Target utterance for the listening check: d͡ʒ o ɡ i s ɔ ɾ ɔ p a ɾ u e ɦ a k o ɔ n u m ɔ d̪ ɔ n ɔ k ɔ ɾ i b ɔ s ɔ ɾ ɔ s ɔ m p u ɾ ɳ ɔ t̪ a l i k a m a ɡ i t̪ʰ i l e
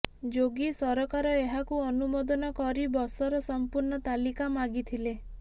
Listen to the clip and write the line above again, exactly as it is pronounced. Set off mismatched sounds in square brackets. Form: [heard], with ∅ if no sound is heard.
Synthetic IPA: d͡ʒ o ɡ i s ɔ ɾ ɔ [k] a ɾ [ɔ] e ɦ a k [u] ɔ n u m ɔ d̪ ɔ n ɔ k ɔ ɾ i b ɔ s ɔ ɾ ɔ s ɔ m p u ɾ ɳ ɔ t̪ a l i k a m a ɡ i t̪ʰ i l e